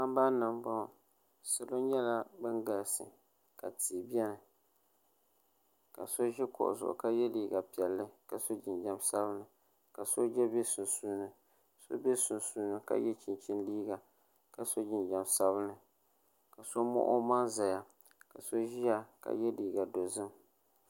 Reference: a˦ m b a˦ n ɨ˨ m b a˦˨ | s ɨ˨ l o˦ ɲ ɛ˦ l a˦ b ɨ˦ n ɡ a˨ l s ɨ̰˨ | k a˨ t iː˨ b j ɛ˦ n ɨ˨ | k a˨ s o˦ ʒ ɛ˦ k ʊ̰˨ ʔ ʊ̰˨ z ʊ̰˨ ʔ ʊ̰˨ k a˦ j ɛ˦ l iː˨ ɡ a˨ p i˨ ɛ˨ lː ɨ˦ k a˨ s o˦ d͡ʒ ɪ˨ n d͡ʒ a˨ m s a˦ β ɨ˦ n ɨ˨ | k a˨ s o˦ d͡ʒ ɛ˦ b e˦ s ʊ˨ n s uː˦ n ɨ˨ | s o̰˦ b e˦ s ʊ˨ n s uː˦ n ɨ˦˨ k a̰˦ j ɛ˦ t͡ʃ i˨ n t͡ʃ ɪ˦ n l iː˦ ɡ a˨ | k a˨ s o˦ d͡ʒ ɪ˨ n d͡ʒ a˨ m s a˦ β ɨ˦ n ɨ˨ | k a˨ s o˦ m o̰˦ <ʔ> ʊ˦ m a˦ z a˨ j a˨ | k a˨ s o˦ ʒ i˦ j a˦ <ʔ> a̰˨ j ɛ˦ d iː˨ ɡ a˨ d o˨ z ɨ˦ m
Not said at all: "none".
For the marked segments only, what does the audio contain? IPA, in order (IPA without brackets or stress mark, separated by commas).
ʔ, k